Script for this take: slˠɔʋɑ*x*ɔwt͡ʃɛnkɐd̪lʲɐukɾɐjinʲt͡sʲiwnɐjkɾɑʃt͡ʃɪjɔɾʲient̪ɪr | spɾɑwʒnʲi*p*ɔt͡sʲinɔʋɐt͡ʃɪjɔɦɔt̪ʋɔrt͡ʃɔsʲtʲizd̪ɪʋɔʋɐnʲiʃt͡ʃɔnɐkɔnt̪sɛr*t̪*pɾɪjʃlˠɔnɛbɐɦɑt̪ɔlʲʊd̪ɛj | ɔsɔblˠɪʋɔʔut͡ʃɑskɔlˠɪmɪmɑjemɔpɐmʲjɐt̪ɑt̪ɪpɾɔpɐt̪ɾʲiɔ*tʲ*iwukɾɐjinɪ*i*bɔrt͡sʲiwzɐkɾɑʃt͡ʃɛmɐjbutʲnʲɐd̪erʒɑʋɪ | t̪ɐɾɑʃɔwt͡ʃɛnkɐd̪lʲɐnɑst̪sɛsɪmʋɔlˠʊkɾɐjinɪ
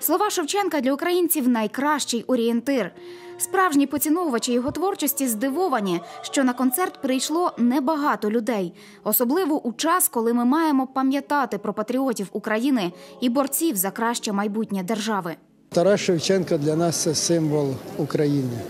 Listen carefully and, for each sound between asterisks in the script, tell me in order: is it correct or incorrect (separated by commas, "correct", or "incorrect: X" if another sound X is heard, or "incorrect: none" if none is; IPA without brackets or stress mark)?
incorrect: ʃ, correct, correct, correct, correct